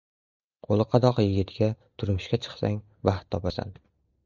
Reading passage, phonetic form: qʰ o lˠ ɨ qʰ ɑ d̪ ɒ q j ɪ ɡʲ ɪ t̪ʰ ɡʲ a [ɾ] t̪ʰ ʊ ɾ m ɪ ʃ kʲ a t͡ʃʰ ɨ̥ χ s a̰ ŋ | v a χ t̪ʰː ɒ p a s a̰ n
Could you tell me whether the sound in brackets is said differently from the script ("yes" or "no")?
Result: yes